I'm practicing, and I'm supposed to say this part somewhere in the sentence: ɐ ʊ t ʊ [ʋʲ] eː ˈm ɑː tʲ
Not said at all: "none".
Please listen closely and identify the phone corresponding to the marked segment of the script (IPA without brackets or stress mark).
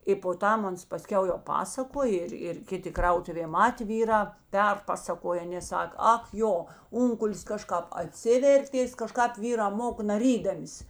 ʋʲ